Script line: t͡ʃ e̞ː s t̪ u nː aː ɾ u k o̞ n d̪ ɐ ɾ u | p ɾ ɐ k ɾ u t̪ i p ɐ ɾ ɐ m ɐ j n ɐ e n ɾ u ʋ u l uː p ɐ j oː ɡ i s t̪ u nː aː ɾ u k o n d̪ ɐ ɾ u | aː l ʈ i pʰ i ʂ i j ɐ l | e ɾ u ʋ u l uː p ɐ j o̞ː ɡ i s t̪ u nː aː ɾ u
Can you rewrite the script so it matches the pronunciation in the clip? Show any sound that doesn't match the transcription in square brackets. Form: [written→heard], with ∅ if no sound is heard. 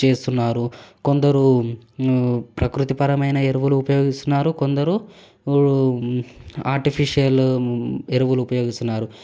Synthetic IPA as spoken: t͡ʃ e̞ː s t̪ u nː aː ɾ u k o̞ n d̪ ɐ ɾ u | p ɾ ɐ k ɾ u t̪ i p ɐ ɾ ɐ m ɐ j n ɐ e [n→∅] ɾ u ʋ u l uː p ɐ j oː ɡ i s t̪ u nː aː ɾ u k o n d̪ ɐ ɾ u | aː [l→ɾ] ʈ i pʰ i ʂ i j ɐ l | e ɾ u ʋ u l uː p ɐ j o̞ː ɡ i s t̪ u nː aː ɾ u